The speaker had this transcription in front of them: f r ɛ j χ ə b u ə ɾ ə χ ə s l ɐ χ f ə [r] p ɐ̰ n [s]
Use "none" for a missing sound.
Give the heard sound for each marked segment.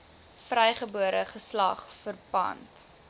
r, t

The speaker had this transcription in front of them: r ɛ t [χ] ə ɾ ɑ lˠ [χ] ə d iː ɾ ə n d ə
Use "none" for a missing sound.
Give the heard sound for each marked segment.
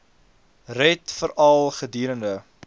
f, χ

